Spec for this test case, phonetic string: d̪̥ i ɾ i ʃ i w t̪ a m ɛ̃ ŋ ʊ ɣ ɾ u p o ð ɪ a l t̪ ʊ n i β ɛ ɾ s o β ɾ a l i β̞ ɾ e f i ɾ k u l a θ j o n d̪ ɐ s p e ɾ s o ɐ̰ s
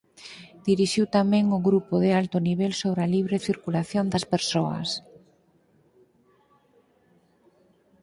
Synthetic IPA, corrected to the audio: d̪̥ i ɾ i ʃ i w t̪ a m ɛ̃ ŋ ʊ ɣ ɾ u p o ð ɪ a l t̪ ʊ n i β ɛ l s o β ɾ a l i β̞ ɾ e θ i ɾ k u l a θ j o n d̪ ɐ s p e ɾ s o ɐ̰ s